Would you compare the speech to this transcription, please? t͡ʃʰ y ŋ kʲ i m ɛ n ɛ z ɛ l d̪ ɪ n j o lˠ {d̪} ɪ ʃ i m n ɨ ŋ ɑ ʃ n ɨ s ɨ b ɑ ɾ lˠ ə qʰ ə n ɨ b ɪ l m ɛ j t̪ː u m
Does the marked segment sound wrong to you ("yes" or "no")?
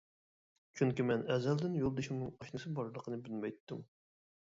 no